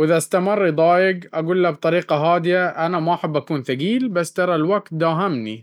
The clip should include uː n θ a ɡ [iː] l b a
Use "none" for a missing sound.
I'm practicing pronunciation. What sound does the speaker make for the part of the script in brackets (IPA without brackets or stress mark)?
iː